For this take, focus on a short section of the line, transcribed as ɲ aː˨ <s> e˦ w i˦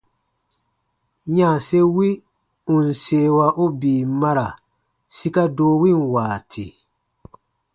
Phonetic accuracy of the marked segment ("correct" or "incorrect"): correct